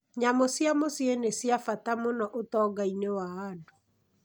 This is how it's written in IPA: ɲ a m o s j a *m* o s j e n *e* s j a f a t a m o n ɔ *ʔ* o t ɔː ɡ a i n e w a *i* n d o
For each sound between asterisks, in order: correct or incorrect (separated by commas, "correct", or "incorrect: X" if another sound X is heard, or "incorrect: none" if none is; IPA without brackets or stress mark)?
correct, correct, correct, incorrect: a